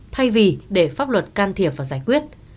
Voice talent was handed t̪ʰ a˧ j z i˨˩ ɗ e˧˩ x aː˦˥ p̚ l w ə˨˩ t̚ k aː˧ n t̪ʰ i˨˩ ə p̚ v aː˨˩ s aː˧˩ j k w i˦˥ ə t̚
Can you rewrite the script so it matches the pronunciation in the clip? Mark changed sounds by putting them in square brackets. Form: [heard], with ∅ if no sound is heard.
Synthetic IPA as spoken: t̪ʰ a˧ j [v] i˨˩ ɗ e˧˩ [f] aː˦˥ p̚ l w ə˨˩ t̚ k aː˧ n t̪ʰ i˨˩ ə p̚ v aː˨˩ [z] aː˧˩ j k w i˦˥ ə t̚